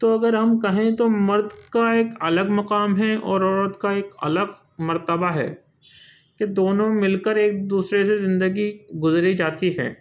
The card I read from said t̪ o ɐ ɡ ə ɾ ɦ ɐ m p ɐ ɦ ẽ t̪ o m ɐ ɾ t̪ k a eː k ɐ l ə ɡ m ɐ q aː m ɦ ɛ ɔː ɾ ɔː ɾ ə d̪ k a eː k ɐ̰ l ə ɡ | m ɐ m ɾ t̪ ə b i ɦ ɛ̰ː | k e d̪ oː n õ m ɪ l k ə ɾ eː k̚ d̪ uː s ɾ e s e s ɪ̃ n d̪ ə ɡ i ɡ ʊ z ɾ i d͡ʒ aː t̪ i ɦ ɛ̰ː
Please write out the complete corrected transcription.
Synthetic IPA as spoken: t̪ o ɐ ɡ ə ɾ ɦ ɐ m k ɐ ɦ ẽ t̪ o m ɐ ɾ d̪ k a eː k ɐ l ə ɡ m ɐ q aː m ɦ ɛ ɔː ɾ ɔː ɾ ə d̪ k a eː k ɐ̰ l ə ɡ | m ɐ ɾ t̪ ə b a ɦ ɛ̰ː | k e d̪ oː n õ m ɪ l k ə ɾ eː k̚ d̪ uː s ɾ e s e z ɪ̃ n d̪ ə ɡ i ɡ ʊ z ɾ i d͡ʒ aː t̪ i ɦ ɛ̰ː